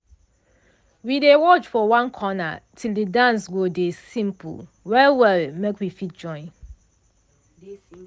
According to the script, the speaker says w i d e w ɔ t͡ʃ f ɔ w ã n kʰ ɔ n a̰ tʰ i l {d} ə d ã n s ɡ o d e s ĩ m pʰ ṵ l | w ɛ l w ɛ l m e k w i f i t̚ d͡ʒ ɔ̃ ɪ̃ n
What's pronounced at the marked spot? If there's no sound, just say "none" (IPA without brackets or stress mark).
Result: d